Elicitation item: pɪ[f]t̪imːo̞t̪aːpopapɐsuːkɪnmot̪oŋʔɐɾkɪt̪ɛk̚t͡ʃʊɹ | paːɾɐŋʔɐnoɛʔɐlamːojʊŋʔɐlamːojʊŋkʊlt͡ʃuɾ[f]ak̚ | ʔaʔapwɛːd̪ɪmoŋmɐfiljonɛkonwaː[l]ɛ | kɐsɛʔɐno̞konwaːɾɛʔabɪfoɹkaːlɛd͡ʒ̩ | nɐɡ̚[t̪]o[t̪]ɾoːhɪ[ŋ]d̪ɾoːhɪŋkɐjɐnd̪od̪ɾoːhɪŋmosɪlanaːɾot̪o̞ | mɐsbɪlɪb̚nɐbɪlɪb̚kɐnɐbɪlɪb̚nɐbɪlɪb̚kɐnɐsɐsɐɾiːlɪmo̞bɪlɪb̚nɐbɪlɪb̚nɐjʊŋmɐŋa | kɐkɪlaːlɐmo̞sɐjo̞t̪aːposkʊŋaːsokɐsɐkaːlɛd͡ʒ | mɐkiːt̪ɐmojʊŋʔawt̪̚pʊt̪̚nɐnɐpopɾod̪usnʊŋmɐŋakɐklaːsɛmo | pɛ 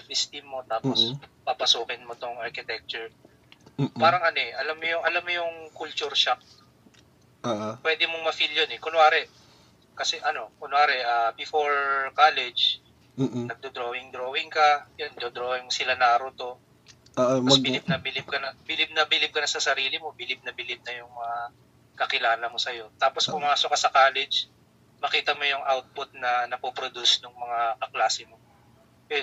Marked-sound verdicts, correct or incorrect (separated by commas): incorrect, incorrect, incorrect, incorrect, incorrect, correct